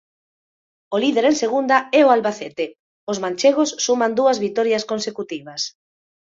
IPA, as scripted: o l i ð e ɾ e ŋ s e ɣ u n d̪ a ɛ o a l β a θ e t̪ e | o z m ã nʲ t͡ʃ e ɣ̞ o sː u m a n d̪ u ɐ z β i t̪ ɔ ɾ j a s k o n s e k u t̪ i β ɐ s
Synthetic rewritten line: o l i ð e ɾ e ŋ s e ɣ u n d̪ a ɛ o a l β a θ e t̪ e | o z m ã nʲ t͡ʃ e ɣ̞ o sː u m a n d̪ u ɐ z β i t̪ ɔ ɾ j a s k o n s e k u t̪ i β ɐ s

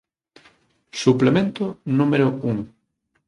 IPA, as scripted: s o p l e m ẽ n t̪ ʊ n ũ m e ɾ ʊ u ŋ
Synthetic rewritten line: s u p l e m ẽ n t̪ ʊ n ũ m e ɾ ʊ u ŋ

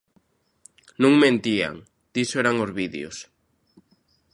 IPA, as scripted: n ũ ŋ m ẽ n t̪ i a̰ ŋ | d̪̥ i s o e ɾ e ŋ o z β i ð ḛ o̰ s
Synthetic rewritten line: n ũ ŋ m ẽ n t̪ i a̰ ŋ | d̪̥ i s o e ɾ a ŋ o z β i ð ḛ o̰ s

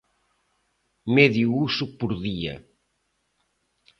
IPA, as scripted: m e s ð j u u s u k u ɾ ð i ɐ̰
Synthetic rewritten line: m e ð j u u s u p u ɾ ð i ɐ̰

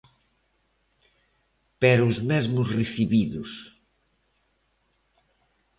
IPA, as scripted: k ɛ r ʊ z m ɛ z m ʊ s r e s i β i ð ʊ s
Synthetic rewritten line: p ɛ ɾ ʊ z m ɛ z m ʊ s r e θ i β i ð ʊ s

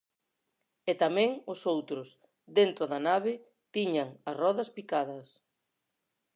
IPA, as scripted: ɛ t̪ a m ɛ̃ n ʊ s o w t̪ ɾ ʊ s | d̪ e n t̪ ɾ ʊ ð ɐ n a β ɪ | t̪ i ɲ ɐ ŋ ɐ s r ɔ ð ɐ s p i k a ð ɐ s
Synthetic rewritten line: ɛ t̪ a m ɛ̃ ŋ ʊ s o w t̪ ɾ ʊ s | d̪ e n t̪ ɾ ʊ ð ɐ n a β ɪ | t̪ i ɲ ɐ ŋ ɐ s r ɔ ð ɐ s p i k a ð ɐ s

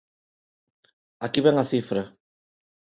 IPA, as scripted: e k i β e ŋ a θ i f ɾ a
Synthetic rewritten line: a k i β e ŋ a θ i f ɾ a

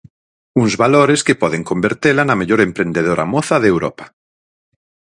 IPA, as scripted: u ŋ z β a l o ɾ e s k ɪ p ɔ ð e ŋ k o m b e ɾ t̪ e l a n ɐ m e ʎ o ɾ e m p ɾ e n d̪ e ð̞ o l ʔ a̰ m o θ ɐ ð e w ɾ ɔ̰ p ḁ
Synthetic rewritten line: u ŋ z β a l o ɾ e s k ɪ p ɔ ð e ŋ k o m b e ɾ t̪ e l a n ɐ m e ʎ o ɾ e m p ɾ e n d̪ e ð̞ o ɾ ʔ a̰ m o θ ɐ ð e w ɾ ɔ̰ p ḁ

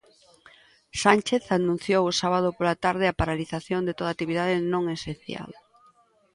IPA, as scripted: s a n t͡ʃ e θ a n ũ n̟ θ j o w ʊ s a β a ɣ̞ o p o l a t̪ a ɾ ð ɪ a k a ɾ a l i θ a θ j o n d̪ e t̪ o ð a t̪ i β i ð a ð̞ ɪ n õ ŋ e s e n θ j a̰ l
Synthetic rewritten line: s a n t͡ʃ e θ a n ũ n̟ θ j o w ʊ s a β a ð̞ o p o l a t̪ a ɾ ð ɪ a p a ɾ a l i θ a θ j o n d̪ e t̪ o ð a t̪ i β i ð a ð̞ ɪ n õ ŋ e s e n θ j a̰ l

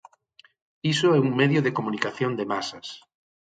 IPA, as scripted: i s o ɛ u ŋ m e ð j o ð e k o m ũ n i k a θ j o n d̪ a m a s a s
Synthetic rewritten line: i s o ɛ u ŋ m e ð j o ð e k o m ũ n i k a θ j o n d̪ e m a s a s

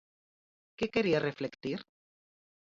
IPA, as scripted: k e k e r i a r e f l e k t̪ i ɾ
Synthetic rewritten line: k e k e ɾ i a r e f l e k t̪ i ɾ

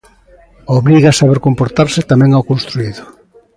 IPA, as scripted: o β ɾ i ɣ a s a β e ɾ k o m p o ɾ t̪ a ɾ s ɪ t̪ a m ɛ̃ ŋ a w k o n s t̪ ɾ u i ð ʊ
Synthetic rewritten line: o β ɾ i ɣ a s a β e ɾ k o m p o ɾ t̪ a ɾ s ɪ t̪ a m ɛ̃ ŋ a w k o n s t̪ ɾ u i ð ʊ

